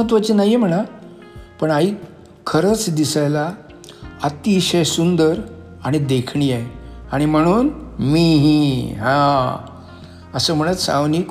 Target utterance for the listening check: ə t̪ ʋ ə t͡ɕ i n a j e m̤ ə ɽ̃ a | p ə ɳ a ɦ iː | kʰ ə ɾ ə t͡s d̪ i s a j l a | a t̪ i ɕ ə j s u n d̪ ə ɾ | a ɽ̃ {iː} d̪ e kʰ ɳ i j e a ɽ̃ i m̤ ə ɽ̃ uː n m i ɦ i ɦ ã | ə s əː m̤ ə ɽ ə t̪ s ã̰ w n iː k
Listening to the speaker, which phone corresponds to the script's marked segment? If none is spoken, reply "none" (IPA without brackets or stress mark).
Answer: i